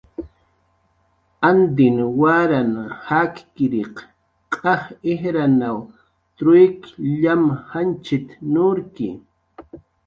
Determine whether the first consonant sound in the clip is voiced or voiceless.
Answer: voiced